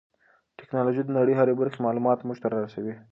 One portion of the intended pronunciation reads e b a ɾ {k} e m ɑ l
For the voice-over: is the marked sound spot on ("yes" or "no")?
no